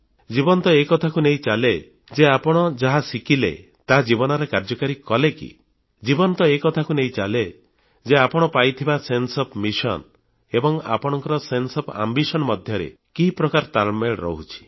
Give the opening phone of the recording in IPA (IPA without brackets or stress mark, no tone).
d͡ʒ